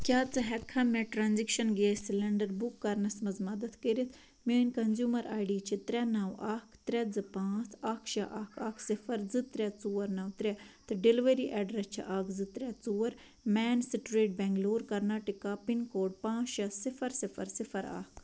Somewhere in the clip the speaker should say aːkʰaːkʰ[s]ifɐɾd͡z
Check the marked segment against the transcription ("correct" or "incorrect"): correct